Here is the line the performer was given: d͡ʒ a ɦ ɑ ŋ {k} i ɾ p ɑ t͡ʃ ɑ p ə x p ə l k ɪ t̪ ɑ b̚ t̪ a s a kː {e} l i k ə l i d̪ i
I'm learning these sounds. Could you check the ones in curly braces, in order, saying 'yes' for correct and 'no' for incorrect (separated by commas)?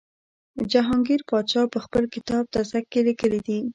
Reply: no, yes